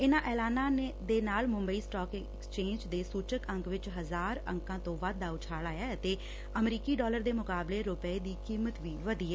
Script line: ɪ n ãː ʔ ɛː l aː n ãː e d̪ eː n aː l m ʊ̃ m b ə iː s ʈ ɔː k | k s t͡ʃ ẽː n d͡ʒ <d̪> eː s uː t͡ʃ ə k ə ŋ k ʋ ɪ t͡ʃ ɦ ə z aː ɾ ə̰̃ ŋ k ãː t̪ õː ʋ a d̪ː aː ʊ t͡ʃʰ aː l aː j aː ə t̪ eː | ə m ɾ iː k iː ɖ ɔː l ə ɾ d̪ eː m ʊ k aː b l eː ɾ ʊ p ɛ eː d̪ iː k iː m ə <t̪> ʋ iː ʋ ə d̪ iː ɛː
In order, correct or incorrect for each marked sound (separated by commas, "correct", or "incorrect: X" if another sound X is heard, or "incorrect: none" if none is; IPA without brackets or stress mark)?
correct, correct